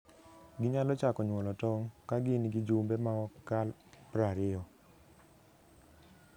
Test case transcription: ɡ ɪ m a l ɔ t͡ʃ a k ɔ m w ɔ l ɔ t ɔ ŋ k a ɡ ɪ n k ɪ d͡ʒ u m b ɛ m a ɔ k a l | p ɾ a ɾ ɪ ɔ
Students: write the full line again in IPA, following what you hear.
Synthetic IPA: ɡ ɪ ɲ a l ɔ t͡ʃ a k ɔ ɲ w ɔ l ɔ t ɔ ŋ k a ɡ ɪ n ɡ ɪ d͡ʒ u m b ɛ m a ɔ k a l | p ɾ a ɾ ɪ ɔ